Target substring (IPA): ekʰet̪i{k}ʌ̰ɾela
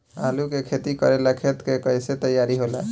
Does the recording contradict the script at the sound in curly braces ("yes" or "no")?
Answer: no